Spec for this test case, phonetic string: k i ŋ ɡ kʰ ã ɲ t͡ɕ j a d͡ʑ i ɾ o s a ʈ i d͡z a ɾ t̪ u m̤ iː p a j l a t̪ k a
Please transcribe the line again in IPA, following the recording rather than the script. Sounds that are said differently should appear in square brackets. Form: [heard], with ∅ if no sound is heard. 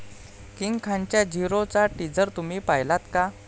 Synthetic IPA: k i ŋ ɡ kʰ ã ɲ t͡ɕ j a d͡ʑ i ɾ o [t͡s] a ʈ i d͡z [ə] ɾ t̪ u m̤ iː p a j l a t̪ k a